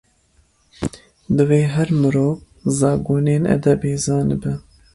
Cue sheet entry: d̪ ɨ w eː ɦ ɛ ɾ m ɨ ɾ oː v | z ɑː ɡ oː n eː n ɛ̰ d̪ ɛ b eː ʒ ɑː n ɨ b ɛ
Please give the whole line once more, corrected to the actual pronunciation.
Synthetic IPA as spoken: d̪ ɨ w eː ɦ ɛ ɾ m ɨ ɾ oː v | z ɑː ɡ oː n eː n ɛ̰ d̪ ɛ b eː z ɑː n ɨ b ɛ